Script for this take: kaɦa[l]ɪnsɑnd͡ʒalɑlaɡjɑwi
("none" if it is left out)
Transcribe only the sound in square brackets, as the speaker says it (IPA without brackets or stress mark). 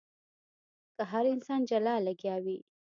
ɾ